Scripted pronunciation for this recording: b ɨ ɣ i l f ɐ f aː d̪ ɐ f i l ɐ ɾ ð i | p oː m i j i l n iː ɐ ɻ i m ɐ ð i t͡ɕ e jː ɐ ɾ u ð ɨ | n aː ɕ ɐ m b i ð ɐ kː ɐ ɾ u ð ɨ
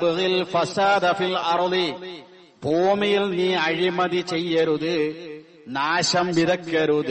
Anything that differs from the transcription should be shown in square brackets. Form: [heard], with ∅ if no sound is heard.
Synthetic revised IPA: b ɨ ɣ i l f ɐ [s] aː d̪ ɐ f i l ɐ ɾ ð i | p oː m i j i l n iː ɐ ɻ i m ɐ ð i t͡ɕ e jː ɐ ɾ u ð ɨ | n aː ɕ ɐ m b i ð ɐ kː ɐ ɾ u ð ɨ